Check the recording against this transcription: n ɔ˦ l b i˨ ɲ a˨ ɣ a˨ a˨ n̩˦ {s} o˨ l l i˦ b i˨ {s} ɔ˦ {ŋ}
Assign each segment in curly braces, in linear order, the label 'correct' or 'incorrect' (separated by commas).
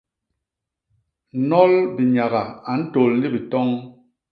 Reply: incorrect, incorrect, correct